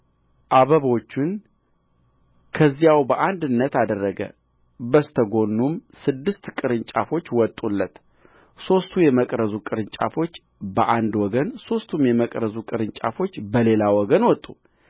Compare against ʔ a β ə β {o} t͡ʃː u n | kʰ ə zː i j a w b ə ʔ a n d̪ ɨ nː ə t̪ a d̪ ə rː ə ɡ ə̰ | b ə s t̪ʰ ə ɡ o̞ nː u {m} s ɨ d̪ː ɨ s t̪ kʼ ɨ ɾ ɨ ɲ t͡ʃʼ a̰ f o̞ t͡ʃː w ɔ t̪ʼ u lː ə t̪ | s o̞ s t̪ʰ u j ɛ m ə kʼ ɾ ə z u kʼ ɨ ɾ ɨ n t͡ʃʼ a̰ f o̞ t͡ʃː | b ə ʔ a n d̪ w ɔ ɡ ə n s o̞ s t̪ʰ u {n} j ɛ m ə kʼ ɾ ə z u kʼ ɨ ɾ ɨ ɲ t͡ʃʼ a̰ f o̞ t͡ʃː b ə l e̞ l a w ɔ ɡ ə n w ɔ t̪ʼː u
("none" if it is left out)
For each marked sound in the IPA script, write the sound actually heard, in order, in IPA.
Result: o, m, m

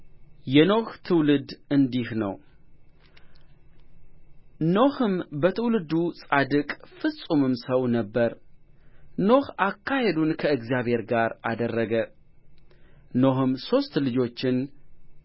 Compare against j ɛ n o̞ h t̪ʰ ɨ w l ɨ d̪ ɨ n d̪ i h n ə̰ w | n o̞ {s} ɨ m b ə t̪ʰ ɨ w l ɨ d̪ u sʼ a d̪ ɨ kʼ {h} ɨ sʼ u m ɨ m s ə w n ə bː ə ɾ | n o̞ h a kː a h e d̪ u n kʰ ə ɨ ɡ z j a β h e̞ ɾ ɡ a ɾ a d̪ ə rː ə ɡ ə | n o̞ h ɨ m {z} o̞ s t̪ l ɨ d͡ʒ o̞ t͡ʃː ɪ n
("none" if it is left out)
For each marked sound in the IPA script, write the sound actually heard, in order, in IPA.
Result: h, f, s

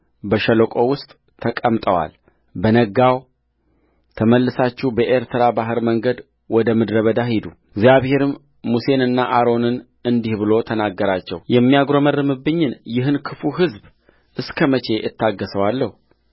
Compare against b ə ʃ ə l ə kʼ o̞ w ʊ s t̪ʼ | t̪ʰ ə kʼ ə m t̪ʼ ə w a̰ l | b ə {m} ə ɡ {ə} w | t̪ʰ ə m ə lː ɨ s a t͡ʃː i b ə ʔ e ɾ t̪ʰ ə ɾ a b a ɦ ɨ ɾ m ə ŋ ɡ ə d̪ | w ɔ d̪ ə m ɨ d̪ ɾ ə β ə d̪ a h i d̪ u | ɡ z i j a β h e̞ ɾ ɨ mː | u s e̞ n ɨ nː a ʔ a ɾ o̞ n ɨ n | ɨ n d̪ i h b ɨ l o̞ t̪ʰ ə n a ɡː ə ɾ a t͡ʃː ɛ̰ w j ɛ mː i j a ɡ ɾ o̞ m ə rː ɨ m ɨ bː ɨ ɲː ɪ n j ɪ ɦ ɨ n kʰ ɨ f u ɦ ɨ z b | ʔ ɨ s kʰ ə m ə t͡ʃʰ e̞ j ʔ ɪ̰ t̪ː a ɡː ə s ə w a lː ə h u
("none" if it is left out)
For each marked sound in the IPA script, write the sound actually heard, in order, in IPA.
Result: n, a

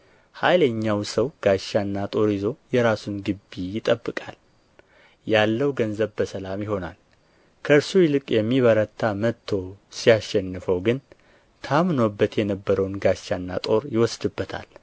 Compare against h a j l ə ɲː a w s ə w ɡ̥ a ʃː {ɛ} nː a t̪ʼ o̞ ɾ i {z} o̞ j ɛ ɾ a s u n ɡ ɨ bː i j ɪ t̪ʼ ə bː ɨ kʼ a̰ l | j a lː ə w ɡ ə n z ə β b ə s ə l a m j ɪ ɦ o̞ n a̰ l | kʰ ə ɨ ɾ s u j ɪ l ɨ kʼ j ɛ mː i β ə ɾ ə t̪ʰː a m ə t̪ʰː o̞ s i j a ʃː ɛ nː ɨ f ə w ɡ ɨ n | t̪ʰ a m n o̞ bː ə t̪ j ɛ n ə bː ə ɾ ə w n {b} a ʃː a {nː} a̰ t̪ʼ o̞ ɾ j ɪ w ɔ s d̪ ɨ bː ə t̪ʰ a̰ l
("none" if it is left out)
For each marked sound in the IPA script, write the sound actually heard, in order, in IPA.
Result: a, z, ɡ, nː

